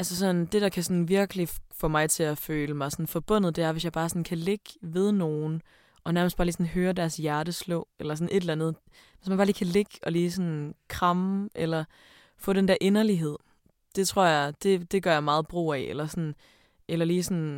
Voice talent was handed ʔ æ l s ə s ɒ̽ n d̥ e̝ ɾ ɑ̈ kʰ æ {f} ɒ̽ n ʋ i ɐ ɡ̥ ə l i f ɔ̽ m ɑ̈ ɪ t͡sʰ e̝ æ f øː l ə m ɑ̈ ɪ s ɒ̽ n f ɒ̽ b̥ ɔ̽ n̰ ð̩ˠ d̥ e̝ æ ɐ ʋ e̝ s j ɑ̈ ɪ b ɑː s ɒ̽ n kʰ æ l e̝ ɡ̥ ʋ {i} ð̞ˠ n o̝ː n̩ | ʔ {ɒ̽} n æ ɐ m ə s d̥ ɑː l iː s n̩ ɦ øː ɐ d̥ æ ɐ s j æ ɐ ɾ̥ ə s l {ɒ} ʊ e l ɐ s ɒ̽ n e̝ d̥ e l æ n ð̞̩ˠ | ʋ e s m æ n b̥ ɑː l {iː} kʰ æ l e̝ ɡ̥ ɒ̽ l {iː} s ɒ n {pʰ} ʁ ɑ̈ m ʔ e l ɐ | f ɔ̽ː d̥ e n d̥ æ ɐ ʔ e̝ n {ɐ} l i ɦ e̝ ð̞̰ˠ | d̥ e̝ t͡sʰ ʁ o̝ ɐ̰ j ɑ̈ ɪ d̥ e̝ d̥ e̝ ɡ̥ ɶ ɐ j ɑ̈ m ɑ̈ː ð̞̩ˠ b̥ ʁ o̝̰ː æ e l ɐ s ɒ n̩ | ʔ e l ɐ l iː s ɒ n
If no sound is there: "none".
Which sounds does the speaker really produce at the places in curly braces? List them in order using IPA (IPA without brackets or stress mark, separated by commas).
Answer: s, e, ɒ̽, ɔ, iː, iː, kʰ, ɐ